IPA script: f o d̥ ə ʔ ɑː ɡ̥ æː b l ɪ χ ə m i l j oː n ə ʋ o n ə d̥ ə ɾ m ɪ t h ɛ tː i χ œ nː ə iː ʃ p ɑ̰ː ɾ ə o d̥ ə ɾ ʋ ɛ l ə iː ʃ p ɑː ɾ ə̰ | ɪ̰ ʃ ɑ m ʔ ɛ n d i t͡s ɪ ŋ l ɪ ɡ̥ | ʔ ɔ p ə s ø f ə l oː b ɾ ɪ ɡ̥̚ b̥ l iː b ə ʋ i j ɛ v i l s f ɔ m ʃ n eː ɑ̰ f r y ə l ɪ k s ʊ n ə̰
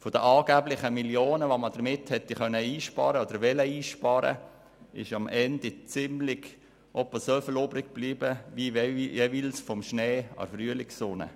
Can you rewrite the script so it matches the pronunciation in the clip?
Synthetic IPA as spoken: f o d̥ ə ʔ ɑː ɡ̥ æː b l ɪ χ ə m i l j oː n ə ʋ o m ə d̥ ə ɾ m ɪ t h ɛ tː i χ œ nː ə iː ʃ p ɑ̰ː ɾ ə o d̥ ə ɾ ʋ ɛ l ə iː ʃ p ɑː ɾ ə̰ | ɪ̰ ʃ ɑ m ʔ ɛ n d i t͡s ɪ m l ɪ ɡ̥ | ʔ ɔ p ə s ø f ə l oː b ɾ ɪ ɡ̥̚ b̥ l iː b ə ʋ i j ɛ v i l s f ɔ m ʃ n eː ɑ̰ f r y ə l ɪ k s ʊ n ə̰